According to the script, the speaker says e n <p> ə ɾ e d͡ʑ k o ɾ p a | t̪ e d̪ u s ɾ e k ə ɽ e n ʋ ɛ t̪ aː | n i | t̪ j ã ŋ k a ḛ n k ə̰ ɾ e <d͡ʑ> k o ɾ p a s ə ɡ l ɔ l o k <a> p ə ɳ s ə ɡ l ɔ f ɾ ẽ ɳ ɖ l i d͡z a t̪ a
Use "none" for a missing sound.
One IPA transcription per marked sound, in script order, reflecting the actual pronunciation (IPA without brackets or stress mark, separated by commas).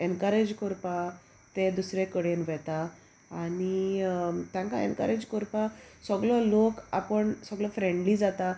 k, d͡ʑ, a